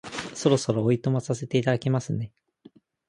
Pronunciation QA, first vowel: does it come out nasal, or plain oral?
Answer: oral